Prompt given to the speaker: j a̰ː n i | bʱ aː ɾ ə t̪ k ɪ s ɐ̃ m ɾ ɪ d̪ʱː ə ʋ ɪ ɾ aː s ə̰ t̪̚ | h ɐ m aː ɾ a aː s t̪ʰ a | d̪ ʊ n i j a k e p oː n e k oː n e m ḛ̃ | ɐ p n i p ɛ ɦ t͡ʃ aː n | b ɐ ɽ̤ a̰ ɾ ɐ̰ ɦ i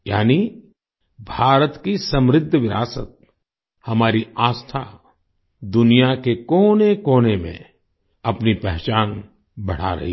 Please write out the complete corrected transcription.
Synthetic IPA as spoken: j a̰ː n i | bʱ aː ɾ ə t̪ k i s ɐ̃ m ɾ ɪ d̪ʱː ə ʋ ɪ ɾ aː s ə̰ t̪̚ | h ɐ m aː ɾ i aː s t̪ʰ a | d̪ ʊ n i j a k e k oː n e k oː n e m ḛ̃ | ɐ p n i p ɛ ɦ t͡ʃ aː n | b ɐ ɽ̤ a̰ ɾ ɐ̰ ɦ i